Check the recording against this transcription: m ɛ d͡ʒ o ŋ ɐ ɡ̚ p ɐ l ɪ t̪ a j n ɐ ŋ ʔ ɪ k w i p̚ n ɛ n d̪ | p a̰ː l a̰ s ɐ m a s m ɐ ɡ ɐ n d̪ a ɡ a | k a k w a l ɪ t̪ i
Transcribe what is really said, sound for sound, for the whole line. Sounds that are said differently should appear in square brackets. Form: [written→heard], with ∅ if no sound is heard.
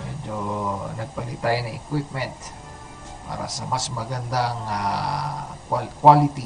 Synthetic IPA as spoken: m ɛ d͡ʒ o [ŋ→n] ɐ ɡ̚ p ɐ l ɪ t̪ a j n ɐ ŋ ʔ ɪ k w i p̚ [n→m] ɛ n [d̪→t̪] | p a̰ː [l→ɾ] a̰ s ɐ m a s m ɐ ɡ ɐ n d̪ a [ɡ→ŋ] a | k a k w a l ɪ t̪ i